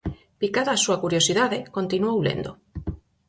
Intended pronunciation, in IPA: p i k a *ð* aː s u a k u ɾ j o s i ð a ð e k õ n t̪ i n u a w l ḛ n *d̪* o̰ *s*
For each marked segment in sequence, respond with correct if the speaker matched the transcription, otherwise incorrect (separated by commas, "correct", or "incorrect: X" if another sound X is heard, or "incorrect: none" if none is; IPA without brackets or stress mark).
correct, correct, incorrect: none